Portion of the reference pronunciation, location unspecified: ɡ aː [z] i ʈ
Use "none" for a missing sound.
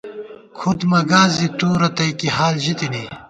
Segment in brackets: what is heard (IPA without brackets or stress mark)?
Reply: z